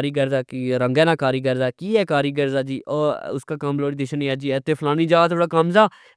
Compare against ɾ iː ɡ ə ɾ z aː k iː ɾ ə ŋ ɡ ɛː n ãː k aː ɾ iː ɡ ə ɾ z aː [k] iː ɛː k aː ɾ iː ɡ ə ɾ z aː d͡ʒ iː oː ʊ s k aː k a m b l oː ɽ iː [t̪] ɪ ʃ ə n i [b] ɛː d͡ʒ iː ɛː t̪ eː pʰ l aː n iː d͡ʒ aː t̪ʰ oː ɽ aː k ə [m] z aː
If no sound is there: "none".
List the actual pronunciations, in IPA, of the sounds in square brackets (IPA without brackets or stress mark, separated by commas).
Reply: k, d̪, none, m